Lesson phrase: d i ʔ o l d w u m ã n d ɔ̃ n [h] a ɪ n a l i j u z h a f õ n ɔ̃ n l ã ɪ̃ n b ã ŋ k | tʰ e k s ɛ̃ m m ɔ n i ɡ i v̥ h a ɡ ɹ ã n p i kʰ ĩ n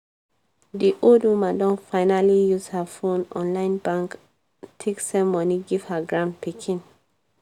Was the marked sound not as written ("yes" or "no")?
yes